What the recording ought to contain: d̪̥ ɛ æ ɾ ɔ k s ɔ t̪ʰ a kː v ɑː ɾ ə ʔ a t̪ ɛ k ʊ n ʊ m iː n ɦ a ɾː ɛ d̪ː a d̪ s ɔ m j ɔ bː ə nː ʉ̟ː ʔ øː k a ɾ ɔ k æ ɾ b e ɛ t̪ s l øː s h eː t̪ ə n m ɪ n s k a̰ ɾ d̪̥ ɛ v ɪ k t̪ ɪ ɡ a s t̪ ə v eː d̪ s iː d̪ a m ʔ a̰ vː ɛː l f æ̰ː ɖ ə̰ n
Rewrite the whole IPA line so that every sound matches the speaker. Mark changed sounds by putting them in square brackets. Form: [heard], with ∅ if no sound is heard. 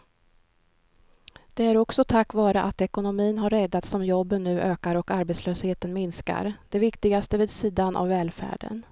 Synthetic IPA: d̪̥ ɛ æ ɾ ɔ k s ɔ t̪ʰ a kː v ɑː ɾ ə ʔ a t̪ ɛ k ʊ n ʊ m iː n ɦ a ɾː ɛ d̪ː a [t̪] s ɔ m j ɔ bː ə nː ʉ̟ː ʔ øː k a ɾ ɔ k [a] ɾ b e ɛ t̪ s l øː s h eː t̪ ə n m ɪ n s k a̰ ɾ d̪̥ ɛ v ɪ k t̪ ɪ ɡ a s t̪ ə v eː d̪ s iː d̪ a [n] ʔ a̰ vː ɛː l f æ̰ː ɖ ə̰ n